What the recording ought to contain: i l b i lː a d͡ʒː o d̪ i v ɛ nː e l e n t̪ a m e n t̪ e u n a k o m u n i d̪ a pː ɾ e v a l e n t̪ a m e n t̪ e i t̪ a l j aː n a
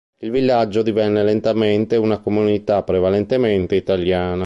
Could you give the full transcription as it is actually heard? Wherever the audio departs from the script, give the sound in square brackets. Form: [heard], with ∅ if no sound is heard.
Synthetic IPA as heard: i l [v] i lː a d͡ʒː o d̪ i v ɛ nː e l e n t̪ a m e n t̪ e u n a k o m u n i [t̪] a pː ɾ e v a l e n t̪ [e] m e n t̪ e i t̪ a l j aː n a